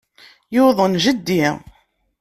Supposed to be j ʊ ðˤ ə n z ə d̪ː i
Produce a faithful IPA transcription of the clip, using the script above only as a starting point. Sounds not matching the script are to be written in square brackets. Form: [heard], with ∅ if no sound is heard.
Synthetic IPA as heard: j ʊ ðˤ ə n [ʒ] ə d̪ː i